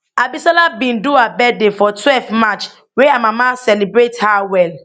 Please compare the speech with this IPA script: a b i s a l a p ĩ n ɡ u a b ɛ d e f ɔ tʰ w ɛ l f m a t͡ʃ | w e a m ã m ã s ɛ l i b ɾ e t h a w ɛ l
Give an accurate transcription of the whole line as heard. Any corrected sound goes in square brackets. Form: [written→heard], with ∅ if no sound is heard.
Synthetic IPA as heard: a b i s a l a [p→b] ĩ n [ɡ→d] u a b ɛ d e f ɔ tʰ w ɛ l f m a t͡ʃ | w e a m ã m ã s ɛ l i b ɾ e t h a w ɛ l